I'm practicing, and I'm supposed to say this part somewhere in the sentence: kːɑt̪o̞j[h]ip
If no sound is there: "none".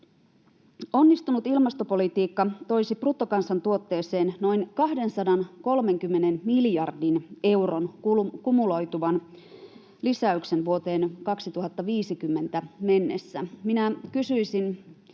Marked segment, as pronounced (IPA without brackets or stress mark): s